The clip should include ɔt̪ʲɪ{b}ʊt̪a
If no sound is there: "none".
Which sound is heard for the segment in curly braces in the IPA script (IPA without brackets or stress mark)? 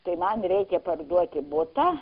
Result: b